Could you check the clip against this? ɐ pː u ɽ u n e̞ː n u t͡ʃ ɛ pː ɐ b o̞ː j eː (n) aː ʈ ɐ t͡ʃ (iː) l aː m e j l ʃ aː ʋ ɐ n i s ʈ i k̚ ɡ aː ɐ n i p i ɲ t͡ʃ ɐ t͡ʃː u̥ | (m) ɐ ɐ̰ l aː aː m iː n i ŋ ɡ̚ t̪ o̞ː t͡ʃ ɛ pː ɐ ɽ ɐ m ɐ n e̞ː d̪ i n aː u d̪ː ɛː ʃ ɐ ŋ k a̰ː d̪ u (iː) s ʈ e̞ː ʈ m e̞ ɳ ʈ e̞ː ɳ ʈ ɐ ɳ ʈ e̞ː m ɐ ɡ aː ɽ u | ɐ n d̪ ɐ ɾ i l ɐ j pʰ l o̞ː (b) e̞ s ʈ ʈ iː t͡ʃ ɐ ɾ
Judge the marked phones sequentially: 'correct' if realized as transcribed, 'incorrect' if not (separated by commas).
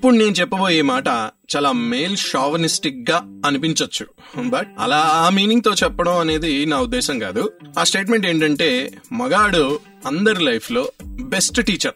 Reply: incorrect, incorrect, incorrect, incorrect, correct